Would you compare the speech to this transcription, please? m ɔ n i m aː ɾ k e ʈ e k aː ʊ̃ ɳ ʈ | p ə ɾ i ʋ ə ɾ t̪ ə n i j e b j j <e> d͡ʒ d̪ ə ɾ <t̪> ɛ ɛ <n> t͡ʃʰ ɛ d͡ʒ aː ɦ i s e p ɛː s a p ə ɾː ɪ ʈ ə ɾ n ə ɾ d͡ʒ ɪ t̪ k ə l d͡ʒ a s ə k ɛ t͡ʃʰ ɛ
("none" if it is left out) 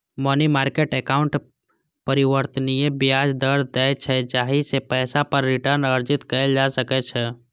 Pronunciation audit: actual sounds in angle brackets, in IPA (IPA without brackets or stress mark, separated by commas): a, d̪, none